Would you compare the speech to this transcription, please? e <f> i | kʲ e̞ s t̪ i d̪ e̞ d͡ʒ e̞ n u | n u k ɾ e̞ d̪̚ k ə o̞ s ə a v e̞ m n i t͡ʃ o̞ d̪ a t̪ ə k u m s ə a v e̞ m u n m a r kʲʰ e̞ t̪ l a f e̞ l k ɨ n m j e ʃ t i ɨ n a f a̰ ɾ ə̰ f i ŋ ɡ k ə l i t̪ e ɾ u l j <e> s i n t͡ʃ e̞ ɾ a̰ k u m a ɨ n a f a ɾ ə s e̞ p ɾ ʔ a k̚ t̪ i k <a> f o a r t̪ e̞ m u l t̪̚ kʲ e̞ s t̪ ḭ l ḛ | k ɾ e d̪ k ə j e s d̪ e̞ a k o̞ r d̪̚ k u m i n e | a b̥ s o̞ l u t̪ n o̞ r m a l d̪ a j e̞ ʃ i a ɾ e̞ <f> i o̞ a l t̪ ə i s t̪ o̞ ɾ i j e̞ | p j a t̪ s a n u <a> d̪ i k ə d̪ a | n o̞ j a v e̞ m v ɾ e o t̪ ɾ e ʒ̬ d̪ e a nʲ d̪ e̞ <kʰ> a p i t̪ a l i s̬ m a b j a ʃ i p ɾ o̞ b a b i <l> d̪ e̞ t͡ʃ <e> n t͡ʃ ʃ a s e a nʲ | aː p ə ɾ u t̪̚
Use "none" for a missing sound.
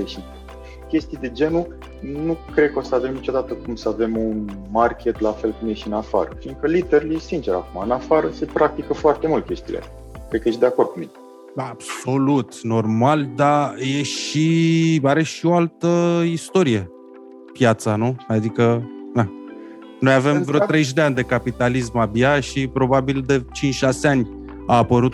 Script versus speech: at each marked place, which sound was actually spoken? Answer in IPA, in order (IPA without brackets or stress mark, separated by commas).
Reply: ʃ, e, ə, ʃ, a, k, l, i